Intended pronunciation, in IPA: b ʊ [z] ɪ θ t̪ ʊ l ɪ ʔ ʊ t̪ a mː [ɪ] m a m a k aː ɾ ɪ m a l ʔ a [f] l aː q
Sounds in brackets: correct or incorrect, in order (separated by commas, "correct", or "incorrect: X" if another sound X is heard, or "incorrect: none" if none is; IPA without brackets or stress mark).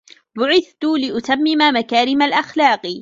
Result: incorrect: ʕ, correct, incorrect: x